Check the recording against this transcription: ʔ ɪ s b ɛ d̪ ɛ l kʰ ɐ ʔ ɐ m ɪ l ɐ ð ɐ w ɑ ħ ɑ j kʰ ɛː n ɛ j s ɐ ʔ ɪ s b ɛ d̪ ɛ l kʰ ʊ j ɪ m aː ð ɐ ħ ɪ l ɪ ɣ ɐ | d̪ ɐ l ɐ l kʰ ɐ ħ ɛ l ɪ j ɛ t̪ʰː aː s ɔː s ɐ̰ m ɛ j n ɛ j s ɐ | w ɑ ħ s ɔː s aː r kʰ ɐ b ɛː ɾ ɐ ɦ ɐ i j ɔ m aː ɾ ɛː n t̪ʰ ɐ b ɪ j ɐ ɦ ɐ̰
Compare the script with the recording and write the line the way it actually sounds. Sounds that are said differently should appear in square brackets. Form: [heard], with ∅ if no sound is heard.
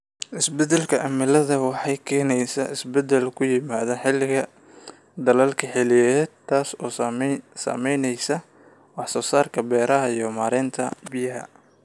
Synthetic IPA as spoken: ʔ ɪ s b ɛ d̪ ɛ l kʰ ɐ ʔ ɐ m ɪ l ɐ ð ɐ w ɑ ħ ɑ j kʰ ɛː n ɛ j s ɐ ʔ ɪ s b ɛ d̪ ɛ l kʰ ʊ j ɪ m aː ð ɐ ħ ɪ l ɪ ɣ ɐ | d̪ ɐ l ɐ l kʰ ɐ ħ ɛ l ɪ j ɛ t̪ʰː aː s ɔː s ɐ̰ m ɛ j n ɛ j s ɐ | w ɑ ħ s ɔː s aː r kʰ ɐ b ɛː ɾ ɐ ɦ ɐ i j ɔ m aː ɾ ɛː n t̪ʰ ɐ b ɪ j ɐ ɦ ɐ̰